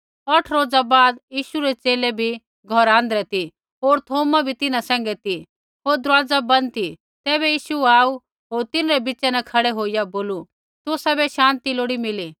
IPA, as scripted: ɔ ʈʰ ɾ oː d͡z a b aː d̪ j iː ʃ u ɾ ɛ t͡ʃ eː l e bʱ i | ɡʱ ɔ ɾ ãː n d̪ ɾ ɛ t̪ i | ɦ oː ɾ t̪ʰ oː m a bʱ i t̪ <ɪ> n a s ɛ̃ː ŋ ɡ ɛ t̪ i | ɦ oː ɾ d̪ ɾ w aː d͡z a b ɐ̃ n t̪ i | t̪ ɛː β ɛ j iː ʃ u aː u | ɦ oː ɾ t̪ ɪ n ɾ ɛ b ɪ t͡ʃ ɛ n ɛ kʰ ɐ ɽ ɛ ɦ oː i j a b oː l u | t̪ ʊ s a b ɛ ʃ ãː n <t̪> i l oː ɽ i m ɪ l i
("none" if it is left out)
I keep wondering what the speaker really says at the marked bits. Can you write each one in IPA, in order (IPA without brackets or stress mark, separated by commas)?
ɪ, t̪